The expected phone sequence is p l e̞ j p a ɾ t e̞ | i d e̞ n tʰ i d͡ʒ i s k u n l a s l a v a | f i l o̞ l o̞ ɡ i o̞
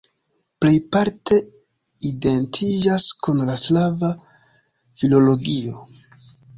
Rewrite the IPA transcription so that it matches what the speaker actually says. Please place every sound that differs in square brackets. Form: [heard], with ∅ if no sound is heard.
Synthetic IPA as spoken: p l e̞ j p a ɾ t e̞ | i d e̞ n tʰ i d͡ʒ [a] s k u n l a s l a v a | f i l o̞ l o̞ ɡ i o̞